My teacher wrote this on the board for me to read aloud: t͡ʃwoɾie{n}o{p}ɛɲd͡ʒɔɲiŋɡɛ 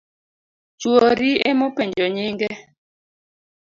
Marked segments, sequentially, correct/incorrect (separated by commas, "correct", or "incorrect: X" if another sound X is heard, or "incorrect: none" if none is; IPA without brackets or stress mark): incorrect: m, correct